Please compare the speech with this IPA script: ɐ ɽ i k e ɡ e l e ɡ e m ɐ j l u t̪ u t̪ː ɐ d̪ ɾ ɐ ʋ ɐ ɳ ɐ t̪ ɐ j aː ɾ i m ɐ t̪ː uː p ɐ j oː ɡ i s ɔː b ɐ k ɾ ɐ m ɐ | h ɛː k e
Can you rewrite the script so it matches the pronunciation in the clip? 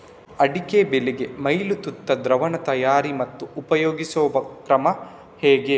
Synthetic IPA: ɐ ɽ i k e b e l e ɡ e m ɐ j l u t̪ u t̪ː ɐ d̪ ɾ ɐ ʋ ɐ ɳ ɐ t̪ ɐ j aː ɾ i m ɐ t̪ː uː p ɐ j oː ɡ i s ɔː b ɐ k ɾ ɐ m ɐ | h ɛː ɡ e